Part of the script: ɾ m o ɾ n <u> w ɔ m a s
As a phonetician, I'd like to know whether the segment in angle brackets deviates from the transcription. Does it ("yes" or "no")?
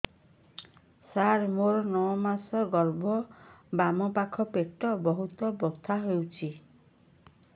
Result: yes